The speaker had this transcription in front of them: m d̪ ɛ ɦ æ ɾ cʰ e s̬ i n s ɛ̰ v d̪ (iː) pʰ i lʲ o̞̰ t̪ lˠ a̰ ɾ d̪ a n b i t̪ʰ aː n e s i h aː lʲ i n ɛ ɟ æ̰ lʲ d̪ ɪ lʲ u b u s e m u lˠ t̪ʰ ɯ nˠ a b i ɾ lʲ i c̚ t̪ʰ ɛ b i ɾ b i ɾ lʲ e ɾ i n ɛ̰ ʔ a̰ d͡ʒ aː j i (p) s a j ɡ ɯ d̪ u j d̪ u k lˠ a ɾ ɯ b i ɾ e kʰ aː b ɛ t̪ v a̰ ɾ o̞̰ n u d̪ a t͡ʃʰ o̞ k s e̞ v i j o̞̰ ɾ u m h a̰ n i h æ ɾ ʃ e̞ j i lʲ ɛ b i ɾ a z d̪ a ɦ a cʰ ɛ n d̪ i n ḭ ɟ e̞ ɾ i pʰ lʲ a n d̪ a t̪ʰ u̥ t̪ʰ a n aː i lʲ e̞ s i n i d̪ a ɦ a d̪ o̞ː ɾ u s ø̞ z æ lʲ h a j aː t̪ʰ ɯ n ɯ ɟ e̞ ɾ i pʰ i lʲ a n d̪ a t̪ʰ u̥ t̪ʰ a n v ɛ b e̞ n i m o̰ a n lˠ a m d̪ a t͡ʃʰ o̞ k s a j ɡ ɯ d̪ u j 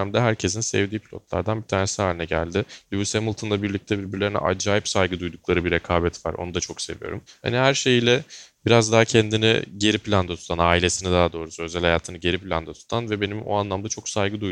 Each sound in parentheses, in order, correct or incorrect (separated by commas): correct, correct